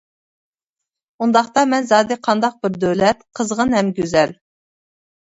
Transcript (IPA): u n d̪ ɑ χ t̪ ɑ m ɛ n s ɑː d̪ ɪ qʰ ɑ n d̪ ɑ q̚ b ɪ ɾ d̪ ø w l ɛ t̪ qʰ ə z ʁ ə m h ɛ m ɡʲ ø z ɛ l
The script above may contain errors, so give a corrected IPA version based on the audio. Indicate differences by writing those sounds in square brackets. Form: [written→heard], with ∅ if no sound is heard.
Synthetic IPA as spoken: u n d̪ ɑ χ t̪ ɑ m ɛ n [s→z] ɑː d̪ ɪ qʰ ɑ n d̪ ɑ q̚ b ɪ ɾ d̪ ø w l ɛ t̪ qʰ ə z ʁ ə [m→n] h ɛ m ɡʲ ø z ɛ l